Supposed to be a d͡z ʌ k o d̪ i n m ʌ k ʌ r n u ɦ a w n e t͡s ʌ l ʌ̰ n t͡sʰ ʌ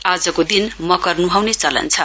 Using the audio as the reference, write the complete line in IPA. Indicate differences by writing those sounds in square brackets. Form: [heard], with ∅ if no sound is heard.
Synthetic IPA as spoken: a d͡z ʌ k o d̪ i n m ʌ k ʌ r n u ɦ a w n e t͡s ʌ l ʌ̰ n t͡sʰ ʌ

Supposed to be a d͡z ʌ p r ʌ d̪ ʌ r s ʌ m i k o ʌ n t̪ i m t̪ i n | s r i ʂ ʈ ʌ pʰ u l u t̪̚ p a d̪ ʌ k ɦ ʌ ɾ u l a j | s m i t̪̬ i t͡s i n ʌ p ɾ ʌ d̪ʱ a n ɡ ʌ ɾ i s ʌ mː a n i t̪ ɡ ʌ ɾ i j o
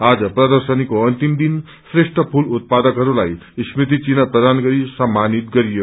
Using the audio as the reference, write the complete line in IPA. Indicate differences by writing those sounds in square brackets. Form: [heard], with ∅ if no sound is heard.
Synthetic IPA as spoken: a d͡z ʌ p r ʌ d̪ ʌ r s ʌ [n] i k o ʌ n t̪ i m [d̪] i n | s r [e] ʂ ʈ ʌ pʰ u l u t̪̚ p a d̪ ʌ k ɦ ʌ ɾ u l a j | s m i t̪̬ i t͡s i n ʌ p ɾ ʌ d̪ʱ a n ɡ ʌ ɾ i s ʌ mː a n i t̪ ɡ ʌ ɾ i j o

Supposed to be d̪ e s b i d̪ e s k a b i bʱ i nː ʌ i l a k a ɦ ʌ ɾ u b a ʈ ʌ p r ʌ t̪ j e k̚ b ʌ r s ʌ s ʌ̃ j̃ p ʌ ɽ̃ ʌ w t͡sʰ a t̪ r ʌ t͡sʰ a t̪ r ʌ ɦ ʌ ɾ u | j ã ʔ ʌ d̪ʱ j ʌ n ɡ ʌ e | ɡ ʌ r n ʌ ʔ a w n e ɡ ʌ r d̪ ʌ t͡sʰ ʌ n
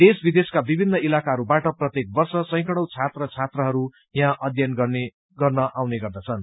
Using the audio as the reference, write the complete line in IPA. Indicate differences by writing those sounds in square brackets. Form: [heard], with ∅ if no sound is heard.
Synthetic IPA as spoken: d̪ e s b i d̪ e s k a b i bʱ i nː ʌ i l a k a ɦ ʌ ɾ u b a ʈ ʌ p r ʌ t̪ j e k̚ b ʌ r s ʌ s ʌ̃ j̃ [k] ʌ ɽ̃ ʌ w t͡sʰ a t̪ r ʌ t͡sʰ a t̪ r ʌ ɦ ʌ ɾ u | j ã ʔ ʌ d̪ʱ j ʌ n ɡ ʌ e | ɡ ʌ r n ʌ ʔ a w n e ɡ ʌ r d̪ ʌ t͡sʰ ʌ n

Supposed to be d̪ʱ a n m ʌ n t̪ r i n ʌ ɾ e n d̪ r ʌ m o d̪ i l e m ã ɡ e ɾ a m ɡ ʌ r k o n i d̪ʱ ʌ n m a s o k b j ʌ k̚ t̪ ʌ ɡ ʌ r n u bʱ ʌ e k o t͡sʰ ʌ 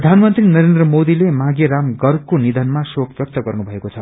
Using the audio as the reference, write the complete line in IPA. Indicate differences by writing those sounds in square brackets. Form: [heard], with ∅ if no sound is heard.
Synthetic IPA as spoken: d̪ʱ a n m ʌ n t̪ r i n ʌ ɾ e n d̪ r ʌ m o d̪ i l e m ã ɡ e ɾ a m ɡ ʌ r k o n i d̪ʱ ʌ n m a s o k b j ʌ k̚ t̪ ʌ ɡ ʌ r n u bʱ ʌ e k o t͡sʰ ʌ

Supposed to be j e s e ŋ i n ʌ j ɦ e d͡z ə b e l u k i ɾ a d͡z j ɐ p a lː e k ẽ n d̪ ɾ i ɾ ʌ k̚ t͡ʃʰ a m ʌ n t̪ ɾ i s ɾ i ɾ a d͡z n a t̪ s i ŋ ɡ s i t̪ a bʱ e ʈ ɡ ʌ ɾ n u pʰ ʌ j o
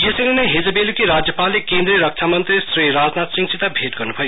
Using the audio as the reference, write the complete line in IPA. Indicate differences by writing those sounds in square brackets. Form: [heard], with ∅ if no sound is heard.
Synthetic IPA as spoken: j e s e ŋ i n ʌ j ɦ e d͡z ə b e l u k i ɾ a d͡z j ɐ p a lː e k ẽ n d̪ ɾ i ɾ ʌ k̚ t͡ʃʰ a m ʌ n t̪ ɾ i s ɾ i ɾ a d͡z n a t̪ s i ŋ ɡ s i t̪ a bʱ e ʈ ɡ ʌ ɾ n u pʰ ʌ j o

